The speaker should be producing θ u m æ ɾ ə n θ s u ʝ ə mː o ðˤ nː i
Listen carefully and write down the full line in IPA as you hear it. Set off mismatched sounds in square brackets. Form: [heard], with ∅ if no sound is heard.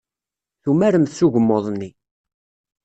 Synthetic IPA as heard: θ u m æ ɾ ə [m] θ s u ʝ ə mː o ðˤ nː i